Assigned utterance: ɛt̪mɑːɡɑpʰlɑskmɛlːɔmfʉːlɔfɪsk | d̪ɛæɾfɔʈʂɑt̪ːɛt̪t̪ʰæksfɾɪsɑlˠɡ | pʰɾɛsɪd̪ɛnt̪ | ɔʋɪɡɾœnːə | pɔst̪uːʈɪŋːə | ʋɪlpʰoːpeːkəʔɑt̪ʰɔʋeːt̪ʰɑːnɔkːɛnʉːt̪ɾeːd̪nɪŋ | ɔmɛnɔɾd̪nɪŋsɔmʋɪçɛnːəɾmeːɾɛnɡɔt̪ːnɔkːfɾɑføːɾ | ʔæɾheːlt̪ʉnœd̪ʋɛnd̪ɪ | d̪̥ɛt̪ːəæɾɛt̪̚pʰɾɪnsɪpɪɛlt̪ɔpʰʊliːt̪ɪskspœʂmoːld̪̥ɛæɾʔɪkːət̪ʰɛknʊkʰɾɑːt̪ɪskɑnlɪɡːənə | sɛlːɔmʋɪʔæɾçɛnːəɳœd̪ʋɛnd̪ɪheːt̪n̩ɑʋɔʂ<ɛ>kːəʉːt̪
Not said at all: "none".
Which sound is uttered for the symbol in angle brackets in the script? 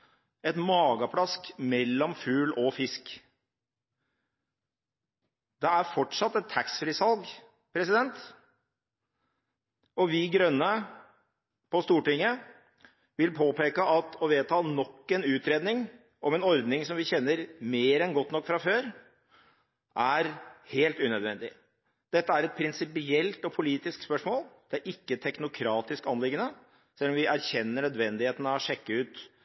ɛ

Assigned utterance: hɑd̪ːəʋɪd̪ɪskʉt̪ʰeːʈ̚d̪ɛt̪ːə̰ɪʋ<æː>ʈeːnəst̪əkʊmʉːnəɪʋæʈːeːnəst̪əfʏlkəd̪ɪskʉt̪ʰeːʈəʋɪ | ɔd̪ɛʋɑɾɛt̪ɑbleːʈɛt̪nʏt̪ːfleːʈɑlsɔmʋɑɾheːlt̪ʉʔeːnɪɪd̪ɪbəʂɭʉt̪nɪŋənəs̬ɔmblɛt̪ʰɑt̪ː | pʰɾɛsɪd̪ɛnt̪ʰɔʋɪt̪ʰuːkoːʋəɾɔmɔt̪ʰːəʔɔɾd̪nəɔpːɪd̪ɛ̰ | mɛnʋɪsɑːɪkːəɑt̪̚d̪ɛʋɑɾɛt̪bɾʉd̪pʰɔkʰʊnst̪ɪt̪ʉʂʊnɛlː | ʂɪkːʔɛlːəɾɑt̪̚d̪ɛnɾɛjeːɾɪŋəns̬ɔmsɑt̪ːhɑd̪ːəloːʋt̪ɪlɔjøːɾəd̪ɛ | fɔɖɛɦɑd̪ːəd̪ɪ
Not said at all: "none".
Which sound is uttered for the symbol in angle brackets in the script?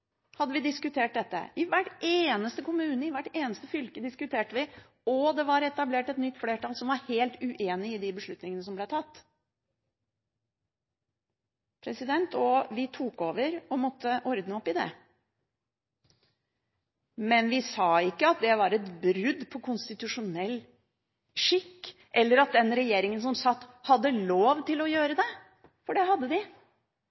æ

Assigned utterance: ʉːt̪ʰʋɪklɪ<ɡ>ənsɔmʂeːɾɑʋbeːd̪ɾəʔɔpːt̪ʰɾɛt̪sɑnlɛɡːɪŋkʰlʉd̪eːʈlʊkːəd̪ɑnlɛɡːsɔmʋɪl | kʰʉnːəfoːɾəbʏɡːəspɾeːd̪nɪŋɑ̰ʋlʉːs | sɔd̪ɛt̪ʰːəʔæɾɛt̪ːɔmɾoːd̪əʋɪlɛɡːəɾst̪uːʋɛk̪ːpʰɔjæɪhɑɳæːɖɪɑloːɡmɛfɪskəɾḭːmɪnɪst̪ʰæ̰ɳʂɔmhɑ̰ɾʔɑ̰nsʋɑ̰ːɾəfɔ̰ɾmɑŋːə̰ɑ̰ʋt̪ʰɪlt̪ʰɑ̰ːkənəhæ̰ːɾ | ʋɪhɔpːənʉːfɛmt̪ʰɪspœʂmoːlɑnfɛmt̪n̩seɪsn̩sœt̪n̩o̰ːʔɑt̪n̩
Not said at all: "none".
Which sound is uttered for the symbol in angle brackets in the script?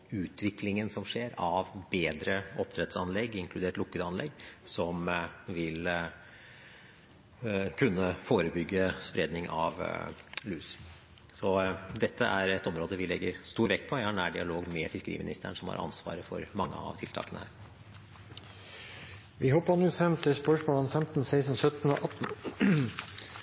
ŋ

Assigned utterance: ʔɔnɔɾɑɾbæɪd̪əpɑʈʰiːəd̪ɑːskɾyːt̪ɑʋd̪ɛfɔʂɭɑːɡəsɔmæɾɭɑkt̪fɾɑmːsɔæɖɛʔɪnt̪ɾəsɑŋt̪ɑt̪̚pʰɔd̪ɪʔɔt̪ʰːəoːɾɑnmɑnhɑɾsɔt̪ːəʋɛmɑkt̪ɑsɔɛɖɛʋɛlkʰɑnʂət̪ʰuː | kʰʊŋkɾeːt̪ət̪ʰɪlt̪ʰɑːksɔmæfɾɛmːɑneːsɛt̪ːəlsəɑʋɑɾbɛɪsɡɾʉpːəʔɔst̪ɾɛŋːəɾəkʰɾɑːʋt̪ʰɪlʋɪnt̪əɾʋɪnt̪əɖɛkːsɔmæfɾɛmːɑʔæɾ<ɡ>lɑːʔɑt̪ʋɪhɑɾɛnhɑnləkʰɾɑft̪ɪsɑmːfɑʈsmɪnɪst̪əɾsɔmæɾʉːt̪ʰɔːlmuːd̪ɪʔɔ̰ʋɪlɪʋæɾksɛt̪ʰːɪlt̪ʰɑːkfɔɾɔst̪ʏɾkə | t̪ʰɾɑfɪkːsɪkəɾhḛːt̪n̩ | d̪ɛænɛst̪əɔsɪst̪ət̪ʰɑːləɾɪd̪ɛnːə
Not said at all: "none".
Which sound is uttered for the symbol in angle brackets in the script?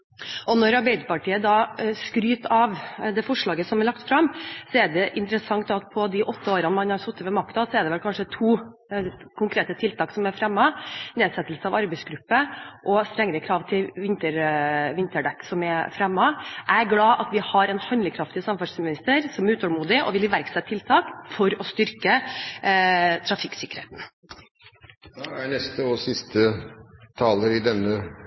ɡ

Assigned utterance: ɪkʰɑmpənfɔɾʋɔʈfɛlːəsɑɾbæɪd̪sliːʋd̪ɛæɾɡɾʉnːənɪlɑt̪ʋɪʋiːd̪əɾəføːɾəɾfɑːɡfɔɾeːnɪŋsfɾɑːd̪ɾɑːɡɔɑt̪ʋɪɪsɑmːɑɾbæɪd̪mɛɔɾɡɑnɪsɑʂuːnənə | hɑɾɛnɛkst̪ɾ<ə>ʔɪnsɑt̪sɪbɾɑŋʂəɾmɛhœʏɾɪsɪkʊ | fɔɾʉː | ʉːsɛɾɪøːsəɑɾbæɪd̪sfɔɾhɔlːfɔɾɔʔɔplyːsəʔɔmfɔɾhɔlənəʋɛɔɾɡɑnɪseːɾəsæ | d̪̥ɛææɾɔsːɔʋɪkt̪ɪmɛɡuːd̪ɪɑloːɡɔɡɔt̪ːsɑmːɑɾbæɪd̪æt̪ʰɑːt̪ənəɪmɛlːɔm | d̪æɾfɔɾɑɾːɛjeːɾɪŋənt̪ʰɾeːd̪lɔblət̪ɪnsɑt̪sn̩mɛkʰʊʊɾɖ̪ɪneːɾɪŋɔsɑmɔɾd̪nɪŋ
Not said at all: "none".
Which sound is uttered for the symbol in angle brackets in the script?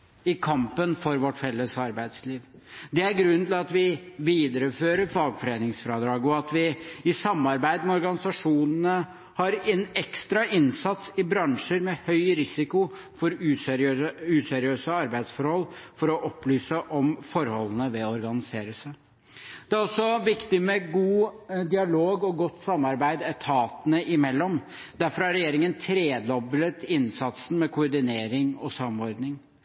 ɑ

